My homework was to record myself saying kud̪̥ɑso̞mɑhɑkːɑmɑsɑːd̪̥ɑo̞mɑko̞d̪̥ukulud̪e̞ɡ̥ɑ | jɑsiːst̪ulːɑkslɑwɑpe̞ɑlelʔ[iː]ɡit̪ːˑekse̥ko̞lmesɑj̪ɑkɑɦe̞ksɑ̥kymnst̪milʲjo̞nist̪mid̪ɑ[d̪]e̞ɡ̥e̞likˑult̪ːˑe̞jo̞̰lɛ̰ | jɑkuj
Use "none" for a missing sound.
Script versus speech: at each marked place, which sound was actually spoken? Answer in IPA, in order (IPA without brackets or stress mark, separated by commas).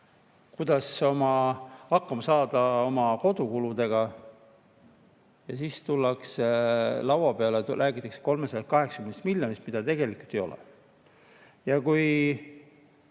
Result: æː, t̪